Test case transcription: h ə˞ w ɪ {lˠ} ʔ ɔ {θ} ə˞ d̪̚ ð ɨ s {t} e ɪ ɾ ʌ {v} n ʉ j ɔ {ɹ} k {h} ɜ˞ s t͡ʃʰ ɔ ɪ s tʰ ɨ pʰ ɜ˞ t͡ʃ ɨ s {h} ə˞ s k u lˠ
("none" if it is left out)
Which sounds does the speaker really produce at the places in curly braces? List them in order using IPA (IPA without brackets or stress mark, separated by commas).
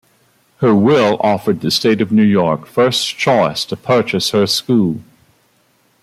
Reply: lˠ, f, t, v, ɹ, f, h